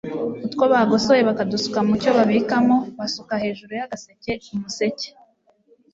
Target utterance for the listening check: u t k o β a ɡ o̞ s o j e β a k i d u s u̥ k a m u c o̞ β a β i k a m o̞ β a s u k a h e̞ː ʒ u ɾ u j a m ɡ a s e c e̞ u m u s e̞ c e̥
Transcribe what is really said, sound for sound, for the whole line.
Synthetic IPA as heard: u t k o β a ɡ o̞ s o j e β a k a d u s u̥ k a m u c o̞ β a β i k a m o̞ β a s u k a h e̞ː ʒ u ɾ u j a ɡ a s e c e̞ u m u s e̞ c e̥